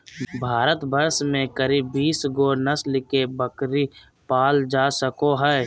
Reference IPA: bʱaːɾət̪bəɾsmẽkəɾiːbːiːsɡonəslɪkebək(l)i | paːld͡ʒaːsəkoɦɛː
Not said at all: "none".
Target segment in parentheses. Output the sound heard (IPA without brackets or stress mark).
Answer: ɾ